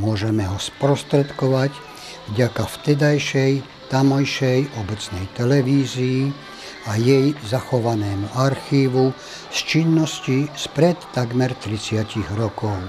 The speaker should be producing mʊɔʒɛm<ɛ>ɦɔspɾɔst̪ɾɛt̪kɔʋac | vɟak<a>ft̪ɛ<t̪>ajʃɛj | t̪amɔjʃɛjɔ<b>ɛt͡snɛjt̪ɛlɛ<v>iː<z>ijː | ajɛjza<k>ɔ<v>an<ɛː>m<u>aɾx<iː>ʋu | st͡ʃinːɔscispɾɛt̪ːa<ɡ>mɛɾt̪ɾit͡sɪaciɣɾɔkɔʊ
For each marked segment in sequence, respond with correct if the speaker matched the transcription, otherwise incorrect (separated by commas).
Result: correct, correct, incorrect, correct, incorrect, correct, incorrect, incorrect, correct, correct, correct, correct